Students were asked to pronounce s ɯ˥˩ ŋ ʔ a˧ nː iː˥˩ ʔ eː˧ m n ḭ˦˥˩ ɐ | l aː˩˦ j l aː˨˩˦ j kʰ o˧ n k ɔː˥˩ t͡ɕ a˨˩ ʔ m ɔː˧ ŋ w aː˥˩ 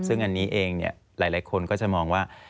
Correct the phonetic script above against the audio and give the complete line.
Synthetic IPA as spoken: s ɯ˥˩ ŋ ʔ a˧ nː iː˦˥ ʔ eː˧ ŋ n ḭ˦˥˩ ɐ | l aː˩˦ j l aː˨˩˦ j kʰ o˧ n k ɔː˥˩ t͡ɕ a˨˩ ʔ m ɔː˧ ŋ w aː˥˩